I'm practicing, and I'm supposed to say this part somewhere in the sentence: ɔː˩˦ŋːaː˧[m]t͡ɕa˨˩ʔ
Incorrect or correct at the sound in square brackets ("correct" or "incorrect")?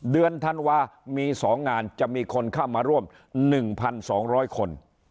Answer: incorrect